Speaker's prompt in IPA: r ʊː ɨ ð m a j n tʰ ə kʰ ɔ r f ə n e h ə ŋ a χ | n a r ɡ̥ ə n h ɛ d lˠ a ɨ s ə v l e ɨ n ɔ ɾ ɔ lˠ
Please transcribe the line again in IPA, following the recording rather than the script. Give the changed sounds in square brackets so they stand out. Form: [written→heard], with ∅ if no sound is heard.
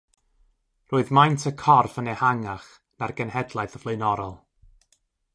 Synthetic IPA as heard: r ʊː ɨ ð m a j n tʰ ə kʰ ɔ r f ə n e h [ə→a] ŋ a χ | n a r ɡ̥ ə n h ɛ d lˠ a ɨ [s→θ] ə v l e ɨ n ɔ ɾ ɔ lˠ